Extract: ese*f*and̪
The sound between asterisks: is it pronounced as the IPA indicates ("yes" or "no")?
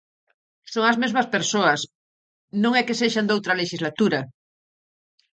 no